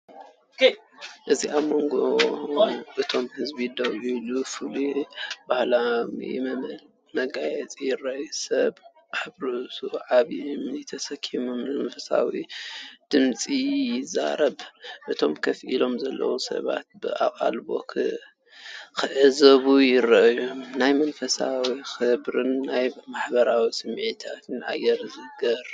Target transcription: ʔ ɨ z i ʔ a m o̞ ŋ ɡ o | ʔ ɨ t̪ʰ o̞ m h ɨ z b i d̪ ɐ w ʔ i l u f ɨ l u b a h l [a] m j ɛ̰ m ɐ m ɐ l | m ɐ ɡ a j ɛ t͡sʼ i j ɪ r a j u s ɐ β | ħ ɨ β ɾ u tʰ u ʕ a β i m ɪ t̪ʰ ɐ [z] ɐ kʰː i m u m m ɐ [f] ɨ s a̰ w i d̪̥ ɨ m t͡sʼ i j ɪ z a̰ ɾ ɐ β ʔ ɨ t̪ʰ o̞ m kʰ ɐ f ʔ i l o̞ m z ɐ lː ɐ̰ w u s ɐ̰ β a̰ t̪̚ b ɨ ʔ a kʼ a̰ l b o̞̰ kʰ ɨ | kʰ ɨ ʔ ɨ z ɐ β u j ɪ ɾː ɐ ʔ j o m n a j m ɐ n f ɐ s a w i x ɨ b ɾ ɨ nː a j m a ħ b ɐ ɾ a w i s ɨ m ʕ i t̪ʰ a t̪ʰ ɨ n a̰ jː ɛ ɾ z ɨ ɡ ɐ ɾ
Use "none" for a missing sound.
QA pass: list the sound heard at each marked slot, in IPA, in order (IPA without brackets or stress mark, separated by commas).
a, s, f